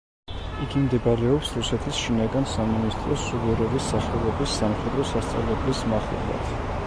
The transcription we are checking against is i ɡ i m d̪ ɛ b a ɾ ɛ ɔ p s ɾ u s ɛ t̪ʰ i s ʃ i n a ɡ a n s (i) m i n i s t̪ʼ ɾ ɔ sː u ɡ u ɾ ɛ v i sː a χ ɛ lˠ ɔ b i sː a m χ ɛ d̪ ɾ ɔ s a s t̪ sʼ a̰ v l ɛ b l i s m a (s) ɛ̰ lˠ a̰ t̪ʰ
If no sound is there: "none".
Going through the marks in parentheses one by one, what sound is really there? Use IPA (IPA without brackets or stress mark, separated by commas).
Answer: a, χ